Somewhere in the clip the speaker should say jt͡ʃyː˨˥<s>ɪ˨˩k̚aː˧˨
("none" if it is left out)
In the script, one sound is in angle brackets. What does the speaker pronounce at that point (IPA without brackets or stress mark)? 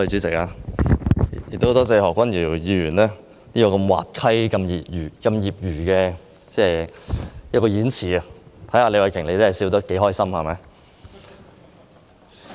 t͡s